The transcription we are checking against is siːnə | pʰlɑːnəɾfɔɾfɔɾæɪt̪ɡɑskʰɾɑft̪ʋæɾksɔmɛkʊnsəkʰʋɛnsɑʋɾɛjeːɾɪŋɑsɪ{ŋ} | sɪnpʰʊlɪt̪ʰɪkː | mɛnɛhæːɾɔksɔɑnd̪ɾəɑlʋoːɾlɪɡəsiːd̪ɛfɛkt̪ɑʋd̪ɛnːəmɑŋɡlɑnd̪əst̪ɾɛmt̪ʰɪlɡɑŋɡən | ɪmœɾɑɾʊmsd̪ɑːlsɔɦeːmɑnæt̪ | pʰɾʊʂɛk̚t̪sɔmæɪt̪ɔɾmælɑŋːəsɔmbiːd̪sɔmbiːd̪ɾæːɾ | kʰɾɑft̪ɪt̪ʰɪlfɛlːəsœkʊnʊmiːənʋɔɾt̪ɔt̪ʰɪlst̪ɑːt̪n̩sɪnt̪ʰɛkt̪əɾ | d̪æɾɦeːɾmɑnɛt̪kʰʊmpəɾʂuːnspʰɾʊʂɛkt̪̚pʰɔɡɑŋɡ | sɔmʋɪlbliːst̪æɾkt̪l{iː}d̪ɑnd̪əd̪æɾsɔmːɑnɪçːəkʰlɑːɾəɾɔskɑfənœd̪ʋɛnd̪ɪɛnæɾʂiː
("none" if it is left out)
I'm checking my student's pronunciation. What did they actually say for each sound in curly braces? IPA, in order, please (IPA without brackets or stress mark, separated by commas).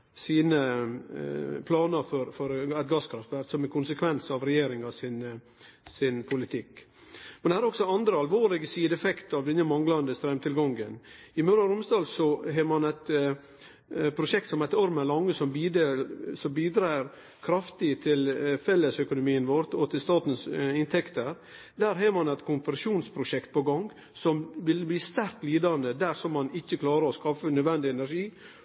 n, iː